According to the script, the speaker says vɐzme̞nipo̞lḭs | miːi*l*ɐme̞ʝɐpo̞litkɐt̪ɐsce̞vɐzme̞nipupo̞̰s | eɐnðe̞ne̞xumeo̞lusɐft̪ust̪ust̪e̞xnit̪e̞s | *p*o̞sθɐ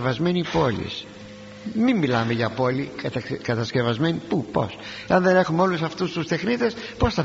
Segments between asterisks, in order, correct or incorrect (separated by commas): correct, correct